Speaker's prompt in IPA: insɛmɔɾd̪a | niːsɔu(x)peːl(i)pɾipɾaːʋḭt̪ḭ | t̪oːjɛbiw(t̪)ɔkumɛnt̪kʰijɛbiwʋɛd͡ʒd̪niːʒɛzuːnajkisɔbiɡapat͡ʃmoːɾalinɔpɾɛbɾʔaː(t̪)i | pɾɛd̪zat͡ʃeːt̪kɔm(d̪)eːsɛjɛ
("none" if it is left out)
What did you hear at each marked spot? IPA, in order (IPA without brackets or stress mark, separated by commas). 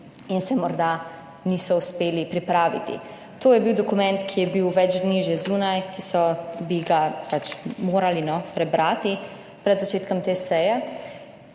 s, i, d̪, t̪, t̪